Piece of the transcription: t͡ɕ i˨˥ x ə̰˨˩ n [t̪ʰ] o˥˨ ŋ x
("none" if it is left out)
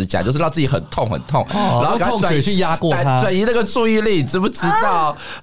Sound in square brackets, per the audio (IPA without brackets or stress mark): t̪ʰ